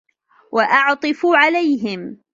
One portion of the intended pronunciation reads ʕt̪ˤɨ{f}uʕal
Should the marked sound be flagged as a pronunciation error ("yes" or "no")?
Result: no